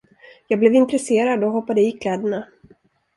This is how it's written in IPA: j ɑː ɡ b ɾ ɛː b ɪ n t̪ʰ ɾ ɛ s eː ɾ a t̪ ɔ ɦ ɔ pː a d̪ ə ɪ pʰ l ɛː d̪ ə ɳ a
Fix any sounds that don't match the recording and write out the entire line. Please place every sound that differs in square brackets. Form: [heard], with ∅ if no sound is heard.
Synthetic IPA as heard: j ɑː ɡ b [l] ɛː [v] ɪ n [t̪] ɾ ɛ s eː ɾ a [d̪] ɔ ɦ ɔ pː a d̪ ə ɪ [kʰ] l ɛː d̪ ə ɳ a